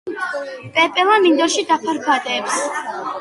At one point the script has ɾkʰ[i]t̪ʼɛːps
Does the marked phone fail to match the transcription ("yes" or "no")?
yes